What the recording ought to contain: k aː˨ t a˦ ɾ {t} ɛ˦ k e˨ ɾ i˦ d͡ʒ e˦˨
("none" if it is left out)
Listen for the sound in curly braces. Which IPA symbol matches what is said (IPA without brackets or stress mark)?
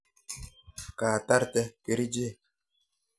t